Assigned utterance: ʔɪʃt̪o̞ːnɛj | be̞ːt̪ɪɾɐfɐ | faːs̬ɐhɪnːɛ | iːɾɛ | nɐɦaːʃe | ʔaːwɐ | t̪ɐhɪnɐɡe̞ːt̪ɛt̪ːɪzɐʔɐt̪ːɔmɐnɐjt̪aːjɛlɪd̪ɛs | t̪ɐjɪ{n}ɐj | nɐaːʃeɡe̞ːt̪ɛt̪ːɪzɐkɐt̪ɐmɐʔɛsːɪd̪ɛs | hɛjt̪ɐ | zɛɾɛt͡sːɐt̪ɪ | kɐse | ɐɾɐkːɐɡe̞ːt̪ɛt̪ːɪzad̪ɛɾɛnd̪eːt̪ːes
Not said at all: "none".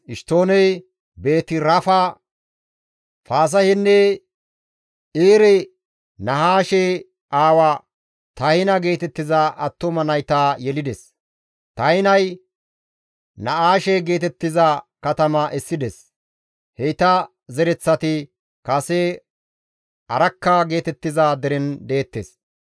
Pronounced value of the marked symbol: n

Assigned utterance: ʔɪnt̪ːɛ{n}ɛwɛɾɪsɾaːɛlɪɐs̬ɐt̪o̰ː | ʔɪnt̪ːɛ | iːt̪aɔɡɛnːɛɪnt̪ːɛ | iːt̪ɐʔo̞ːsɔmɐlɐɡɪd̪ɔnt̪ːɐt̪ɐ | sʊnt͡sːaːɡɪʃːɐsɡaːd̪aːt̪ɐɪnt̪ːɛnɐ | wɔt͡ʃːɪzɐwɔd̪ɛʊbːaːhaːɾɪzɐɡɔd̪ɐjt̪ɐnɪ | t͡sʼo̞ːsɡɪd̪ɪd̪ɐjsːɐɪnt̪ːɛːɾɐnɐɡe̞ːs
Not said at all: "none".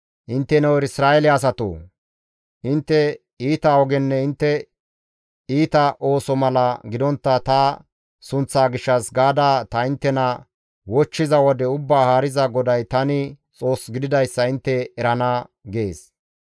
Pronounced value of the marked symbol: n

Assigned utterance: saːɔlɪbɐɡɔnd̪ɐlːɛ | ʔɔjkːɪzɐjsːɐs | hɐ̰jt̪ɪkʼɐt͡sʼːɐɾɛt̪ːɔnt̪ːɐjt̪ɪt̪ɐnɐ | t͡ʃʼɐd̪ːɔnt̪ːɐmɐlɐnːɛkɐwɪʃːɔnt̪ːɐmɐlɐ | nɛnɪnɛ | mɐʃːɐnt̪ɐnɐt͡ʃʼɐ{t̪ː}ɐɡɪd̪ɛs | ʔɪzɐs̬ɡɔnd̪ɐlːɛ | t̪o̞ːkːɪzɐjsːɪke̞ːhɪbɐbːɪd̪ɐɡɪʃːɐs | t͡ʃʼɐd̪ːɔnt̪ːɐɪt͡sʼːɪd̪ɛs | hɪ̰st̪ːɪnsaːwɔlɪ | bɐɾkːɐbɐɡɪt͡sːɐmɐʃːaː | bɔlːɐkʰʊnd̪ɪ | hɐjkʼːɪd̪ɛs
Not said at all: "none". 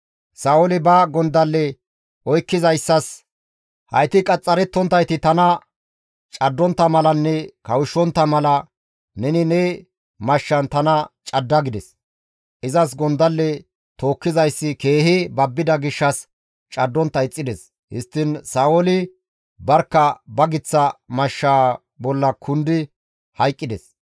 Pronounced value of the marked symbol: d̪ː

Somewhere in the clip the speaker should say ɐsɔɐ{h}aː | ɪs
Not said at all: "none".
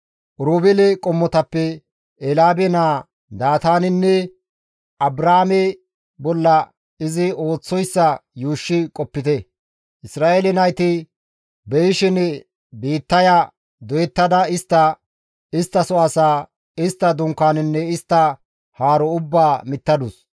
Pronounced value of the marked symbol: s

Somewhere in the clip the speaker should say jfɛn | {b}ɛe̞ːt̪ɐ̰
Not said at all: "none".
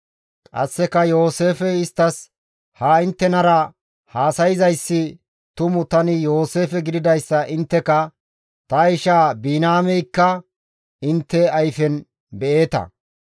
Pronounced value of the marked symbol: b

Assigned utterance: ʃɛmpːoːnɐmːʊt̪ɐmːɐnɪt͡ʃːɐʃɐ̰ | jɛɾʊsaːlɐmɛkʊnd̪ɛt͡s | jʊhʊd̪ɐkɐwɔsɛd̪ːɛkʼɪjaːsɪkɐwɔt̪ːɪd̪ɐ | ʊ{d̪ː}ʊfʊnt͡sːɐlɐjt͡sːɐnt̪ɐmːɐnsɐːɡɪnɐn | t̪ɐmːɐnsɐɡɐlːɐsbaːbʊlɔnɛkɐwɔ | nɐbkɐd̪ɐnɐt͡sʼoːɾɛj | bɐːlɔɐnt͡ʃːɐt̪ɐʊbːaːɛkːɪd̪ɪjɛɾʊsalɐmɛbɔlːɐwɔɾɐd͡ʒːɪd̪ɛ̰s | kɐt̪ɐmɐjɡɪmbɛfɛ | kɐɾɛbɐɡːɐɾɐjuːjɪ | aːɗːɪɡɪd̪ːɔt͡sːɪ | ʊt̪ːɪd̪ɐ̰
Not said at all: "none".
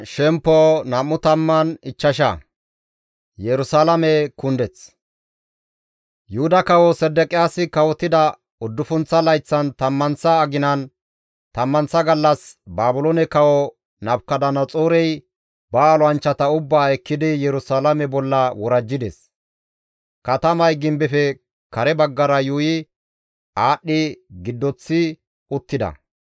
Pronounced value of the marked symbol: d̪ː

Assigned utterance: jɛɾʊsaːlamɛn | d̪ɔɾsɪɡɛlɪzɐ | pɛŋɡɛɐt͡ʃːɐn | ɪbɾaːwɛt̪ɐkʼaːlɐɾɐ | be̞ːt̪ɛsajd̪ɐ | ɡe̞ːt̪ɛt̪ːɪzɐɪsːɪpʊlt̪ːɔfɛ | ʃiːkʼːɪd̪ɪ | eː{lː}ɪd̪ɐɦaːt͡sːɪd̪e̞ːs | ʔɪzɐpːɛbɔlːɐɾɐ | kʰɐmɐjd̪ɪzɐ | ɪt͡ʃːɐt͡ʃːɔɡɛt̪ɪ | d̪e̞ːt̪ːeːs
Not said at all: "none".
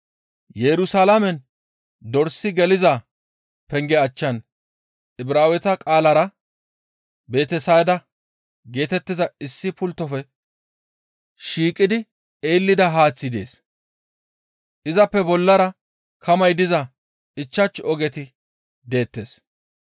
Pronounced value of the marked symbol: lː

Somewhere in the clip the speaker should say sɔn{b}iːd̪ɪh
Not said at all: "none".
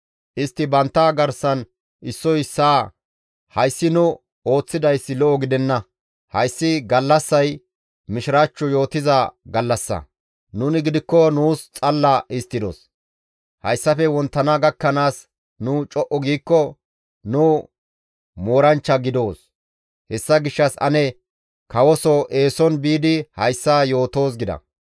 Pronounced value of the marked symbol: b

